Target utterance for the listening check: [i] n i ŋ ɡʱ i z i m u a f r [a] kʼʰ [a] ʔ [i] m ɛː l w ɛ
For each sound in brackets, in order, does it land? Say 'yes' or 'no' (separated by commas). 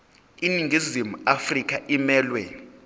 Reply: yes, no, yes, yes